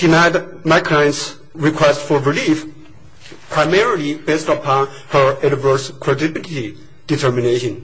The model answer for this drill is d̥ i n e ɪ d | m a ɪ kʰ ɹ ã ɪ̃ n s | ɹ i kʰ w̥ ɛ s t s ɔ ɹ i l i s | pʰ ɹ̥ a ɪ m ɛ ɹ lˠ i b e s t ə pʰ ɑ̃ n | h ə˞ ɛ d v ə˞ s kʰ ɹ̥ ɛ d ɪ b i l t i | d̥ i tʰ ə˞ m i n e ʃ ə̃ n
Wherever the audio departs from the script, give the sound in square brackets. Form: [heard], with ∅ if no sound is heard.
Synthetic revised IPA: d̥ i n [a] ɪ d | m a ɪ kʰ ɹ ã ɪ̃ n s | ɹ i kʰ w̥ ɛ s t [f] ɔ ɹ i l i [f] | pʰ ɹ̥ a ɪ m ɛ ɹ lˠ i b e s t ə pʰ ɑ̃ n | h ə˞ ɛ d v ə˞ s kʰ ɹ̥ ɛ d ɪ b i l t i | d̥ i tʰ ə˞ m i n e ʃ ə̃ n